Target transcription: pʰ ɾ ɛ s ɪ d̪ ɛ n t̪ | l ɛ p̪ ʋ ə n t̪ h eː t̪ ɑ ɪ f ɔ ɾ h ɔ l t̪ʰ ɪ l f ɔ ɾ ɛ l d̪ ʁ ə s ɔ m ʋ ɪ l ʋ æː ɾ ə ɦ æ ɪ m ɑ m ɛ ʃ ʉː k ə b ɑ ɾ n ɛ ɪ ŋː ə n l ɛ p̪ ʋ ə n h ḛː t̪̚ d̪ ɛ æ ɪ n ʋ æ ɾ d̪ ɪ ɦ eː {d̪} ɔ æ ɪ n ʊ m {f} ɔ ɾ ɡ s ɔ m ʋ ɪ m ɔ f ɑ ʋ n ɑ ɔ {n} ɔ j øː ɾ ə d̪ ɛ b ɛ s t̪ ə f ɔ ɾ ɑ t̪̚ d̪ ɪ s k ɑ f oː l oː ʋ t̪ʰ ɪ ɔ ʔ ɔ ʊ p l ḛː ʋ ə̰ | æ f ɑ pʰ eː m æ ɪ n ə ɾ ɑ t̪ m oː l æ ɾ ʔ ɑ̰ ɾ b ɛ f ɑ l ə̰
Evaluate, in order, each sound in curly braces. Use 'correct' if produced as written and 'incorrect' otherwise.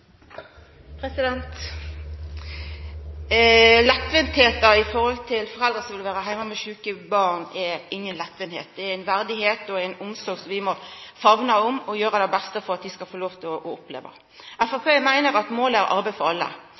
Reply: incorrect, incorrect, incorrect

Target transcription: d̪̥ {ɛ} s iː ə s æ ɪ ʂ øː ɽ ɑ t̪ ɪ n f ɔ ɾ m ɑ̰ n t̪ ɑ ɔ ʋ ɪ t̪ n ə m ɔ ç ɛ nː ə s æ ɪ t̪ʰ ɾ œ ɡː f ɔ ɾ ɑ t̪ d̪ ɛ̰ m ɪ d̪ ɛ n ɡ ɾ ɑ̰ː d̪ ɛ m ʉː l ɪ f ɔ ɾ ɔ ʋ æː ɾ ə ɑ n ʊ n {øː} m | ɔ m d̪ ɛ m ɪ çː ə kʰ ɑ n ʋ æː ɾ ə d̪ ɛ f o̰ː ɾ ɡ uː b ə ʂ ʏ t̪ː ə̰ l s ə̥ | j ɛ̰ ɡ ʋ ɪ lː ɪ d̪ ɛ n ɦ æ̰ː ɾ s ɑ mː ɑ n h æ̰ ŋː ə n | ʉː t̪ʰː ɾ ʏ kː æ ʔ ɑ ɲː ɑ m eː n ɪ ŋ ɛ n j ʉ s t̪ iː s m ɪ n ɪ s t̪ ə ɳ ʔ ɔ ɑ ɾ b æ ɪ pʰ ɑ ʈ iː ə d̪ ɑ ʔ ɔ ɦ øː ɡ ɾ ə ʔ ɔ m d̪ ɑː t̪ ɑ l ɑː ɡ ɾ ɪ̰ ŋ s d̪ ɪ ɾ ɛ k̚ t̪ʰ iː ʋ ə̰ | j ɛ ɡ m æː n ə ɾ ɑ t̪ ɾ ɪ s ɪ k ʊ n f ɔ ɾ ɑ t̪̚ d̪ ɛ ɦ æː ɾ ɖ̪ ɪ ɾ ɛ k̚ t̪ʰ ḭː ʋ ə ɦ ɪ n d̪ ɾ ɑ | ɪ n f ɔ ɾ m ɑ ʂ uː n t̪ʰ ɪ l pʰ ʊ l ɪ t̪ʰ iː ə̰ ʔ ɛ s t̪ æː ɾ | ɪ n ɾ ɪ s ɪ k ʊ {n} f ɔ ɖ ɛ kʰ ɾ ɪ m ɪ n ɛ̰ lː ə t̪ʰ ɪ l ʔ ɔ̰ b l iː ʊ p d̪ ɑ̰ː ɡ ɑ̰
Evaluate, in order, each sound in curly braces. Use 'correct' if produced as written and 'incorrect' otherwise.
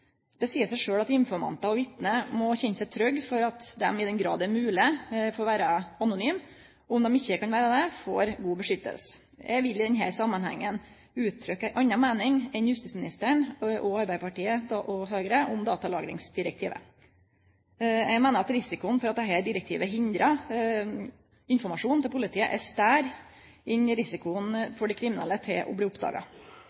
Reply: correct, incorrect, correct

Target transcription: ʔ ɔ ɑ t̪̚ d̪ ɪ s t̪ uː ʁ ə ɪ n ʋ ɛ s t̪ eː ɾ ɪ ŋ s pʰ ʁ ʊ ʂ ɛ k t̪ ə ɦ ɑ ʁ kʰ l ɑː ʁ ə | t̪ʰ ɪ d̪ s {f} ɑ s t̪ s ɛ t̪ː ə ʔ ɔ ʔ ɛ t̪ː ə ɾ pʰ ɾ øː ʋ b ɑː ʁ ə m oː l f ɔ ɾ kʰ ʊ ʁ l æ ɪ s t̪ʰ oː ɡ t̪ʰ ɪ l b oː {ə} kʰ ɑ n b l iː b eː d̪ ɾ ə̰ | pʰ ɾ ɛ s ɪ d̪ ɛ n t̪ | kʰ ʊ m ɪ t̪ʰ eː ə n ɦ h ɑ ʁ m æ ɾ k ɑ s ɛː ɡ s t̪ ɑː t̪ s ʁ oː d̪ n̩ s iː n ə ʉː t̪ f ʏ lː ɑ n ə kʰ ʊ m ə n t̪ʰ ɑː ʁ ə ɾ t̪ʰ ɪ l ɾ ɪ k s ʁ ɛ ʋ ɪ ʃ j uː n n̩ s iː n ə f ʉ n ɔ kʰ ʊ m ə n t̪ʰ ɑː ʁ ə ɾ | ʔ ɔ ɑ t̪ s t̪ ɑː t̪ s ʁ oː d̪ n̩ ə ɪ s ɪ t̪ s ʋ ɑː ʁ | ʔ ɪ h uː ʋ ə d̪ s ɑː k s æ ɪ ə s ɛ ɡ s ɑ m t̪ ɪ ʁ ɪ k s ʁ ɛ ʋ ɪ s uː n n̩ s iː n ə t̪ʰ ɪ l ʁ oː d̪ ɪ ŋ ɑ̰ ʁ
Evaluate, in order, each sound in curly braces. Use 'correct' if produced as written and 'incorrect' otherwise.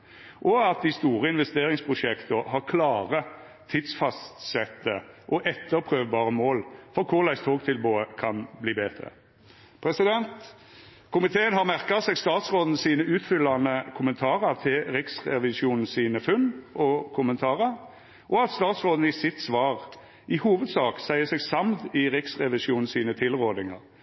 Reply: correct, correct

